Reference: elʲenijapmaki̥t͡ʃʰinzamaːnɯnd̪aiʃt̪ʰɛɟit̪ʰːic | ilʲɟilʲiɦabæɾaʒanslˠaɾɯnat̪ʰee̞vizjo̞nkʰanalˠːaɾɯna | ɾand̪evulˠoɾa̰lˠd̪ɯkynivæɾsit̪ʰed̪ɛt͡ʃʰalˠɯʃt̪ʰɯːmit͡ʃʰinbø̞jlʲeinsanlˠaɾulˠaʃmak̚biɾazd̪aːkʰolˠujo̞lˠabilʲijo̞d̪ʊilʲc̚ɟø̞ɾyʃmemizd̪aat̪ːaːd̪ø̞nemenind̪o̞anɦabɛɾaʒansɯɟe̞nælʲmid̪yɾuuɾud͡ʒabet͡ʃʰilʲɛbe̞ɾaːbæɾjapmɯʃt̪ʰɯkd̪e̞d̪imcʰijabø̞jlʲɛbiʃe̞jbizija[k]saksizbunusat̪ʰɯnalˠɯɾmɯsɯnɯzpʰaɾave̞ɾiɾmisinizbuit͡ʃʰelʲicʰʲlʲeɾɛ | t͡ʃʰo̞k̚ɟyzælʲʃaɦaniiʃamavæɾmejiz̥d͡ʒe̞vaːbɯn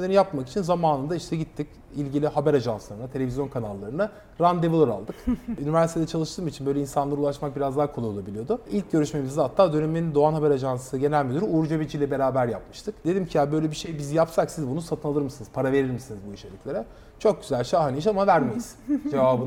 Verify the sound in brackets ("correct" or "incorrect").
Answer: incorrect